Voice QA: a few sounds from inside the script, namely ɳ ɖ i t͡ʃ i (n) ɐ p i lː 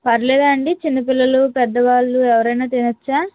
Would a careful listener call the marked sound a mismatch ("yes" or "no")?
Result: yes